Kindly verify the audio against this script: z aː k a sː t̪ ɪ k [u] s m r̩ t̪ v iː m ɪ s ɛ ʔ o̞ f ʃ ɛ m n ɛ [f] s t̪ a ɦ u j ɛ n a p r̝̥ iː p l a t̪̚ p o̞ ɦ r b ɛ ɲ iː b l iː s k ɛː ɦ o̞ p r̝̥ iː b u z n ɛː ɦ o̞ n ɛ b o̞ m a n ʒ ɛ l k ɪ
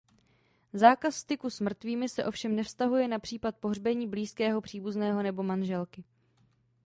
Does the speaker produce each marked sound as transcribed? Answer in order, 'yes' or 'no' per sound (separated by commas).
yes, yes